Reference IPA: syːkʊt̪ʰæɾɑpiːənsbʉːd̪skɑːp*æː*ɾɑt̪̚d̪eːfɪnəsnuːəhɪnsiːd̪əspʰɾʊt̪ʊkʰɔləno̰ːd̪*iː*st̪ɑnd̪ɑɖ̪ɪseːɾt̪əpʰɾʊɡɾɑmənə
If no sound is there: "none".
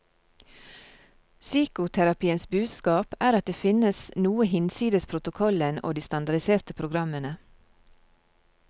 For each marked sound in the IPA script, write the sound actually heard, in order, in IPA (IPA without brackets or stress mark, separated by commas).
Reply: æː, iː